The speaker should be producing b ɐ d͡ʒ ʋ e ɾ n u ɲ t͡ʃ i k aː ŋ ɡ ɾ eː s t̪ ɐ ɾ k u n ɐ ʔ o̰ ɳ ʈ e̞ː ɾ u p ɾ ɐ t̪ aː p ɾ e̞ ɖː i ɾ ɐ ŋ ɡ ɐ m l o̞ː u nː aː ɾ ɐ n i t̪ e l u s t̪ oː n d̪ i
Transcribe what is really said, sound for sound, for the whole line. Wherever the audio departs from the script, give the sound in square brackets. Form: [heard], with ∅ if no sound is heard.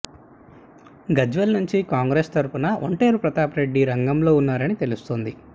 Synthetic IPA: [ɡ] ɐ d͡ʒ ʋ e [l] n u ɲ t͡ʃ i k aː ŋ ɡ ɾ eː s t̪ ɐ ɾ [p] u n ɐ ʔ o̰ ɳ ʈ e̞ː ɾ u p ɾ ɐ t̪ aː p ɾ e̞ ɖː i ɾ ɐ ŋ ɡ ɐ m l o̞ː u nː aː ɾ ɐ n i t̪ e l u s t̪ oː n d̪ i